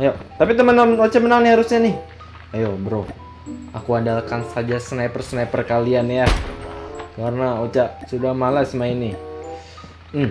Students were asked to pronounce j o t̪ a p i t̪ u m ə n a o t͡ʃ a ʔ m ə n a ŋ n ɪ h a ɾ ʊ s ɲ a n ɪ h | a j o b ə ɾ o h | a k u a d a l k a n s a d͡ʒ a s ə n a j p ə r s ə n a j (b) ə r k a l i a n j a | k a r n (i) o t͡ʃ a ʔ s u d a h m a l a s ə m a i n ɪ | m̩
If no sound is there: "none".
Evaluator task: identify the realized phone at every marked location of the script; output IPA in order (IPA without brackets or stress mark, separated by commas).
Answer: p, a